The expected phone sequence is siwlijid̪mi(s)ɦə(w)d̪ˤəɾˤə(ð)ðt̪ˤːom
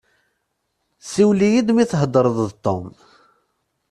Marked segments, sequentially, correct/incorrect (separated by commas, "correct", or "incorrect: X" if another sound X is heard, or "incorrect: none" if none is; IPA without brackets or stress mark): incorrect: θ, incorrect: none, correct